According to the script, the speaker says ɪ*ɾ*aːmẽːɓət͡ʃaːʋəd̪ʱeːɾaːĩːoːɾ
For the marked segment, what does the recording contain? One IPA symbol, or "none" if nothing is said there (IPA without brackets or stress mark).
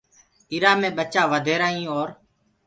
ɾ